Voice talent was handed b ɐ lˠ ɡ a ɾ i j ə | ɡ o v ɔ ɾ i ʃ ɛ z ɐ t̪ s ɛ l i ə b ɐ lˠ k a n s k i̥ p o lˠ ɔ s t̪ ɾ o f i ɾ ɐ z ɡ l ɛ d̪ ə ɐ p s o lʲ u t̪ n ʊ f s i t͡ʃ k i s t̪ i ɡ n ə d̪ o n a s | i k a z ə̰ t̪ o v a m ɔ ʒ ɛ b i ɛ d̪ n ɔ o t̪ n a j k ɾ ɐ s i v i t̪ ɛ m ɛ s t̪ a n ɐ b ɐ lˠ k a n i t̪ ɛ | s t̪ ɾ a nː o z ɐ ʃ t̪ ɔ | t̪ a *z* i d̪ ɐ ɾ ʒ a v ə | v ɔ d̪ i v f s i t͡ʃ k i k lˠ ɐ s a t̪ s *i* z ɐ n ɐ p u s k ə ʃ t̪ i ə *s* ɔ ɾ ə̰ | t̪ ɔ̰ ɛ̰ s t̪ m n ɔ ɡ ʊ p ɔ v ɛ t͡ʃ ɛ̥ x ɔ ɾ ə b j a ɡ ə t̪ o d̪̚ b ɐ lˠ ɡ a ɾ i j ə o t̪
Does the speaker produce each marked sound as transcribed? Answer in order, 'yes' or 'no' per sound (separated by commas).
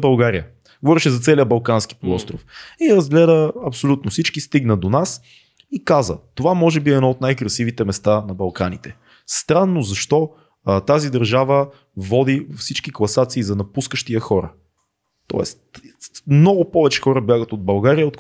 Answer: yes, no, no